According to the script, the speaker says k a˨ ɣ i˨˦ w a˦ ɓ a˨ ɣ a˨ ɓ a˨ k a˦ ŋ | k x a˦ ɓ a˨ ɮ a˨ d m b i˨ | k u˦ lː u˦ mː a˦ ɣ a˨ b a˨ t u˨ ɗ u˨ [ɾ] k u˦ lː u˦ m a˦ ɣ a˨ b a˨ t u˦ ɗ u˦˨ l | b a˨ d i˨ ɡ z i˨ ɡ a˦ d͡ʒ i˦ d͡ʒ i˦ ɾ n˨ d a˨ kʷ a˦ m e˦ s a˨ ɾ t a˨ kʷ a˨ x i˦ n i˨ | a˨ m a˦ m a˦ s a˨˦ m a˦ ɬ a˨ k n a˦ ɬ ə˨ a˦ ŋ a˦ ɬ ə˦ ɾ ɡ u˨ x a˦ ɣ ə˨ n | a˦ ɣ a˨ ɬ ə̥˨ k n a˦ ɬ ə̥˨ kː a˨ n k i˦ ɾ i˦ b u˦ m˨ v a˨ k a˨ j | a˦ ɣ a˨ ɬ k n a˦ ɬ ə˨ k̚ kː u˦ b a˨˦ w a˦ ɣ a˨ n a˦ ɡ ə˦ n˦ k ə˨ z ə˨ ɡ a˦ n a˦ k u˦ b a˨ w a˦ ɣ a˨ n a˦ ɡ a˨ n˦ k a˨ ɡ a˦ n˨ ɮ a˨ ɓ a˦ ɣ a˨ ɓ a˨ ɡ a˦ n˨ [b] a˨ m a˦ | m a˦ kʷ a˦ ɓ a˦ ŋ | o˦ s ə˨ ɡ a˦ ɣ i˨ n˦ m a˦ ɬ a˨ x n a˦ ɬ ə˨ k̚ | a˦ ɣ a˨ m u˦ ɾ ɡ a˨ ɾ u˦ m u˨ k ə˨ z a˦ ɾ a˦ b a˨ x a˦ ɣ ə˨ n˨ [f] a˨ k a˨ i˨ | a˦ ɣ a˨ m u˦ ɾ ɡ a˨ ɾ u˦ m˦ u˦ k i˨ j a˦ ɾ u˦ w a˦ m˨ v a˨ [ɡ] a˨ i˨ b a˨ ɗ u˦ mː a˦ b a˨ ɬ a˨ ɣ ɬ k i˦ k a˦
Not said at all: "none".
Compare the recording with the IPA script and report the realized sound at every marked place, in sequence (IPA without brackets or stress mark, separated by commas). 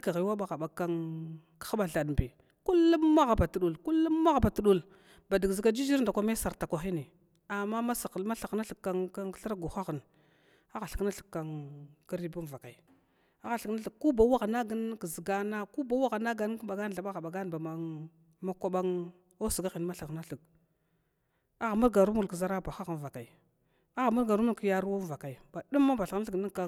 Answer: l, b, v, k